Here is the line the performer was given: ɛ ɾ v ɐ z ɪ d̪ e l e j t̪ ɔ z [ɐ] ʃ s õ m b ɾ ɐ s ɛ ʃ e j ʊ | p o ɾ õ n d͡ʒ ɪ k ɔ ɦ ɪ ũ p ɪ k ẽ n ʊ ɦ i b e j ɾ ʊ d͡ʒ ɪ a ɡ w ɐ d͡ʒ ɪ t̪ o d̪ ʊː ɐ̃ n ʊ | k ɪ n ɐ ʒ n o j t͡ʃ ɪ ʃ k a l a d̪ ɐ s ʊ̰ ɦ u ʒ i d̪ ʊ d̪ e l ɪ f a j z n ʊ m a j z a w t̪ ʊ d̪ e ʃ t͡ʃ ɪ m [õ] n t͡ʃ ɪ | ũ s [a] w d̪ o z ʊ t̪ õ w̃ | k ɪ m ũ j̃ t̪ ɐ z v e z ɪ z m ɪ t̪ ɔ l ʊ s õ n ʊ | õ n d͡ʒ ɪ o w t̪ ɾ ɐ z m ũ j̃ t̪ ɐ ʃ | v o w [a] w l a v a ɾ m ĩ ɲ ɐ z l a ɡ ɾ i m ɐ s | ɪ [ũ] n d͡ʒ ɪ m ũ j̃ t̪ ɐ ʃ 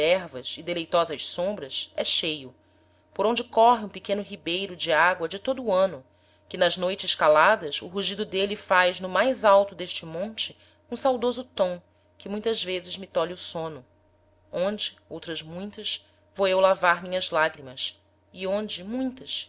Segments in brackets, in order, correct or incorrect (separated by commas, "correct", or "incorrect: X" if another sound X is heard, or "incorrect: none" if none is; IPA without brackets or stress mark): correct, correct, correct, incorrect: e, incorrect: õ